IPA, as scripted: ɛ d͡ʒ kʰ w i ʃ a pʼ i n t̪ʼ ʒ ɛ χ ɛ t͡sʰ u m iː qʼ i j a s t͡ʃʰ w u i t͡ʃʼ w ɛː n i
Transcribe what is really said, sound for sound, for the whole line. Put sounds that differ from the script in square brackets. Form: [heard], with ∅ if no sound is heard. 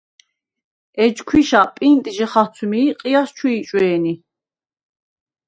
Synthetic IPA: ɛ d͡ʒ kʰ w i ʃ a pʼ i n t̪ʼ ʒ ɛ χ [a] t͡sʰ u m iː qʼ i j a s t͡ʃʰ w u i t͡ʃʼ w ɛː n i